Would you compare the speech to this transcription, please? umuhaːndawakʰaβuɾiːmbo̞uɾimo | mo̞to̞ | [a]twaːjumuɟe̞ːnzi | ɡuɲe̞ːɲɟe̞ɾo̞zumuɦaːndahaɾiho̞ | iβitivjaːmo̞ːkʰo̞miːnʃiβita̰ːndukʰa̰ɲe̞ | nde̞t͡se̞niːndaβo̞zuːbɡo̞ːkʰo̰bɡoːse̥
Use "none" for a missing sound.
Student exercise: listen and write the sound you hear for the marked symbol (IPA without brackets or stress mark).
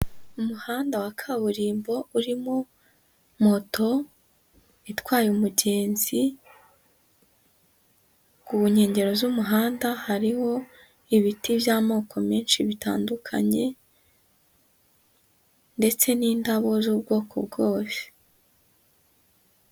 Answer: i